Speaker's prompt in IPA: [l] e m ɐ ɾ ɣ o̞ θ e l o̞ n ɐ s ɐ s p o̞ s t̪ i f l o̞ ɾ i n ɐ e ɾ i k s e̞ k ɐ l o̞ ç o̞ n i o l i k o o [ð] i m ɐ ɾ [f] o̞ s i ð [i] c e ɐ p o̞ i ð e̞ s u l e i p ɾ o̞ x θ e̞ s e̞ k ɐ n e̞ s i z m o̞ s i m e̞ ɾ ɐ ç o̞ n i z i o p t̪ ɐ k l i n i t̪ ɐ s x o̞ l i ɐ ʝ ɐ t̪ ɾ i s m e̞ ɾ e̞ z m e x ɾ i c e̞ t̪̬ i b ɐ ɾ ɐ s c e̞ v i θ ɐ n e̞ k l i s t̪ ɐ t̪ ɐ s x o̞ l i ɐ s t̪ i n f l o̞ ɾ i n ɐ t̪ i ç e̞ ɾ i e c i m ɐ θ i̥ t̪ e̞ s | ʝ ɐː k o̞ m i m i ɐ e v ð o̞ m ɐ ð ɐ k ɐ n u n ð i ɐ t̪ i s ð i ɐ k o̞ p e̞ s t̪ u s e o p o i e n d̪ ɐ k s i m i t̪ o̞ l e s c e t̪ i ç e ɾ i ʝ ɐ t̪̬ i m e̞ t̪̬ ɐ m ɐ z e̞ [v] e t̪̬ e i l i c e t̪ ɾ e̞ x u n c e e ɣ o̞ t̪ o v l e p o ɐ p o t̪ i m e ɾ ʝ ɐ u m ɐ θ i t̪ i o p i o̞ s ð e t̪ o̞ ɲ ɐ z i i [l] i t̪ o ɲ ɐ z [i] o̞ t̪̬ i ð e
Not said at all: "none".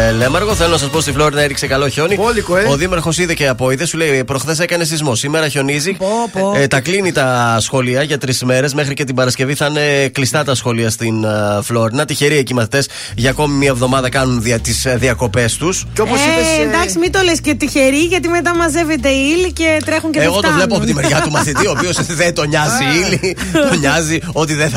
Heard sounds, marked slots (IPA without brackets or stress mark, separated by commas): l, ð, x, e, v, l, i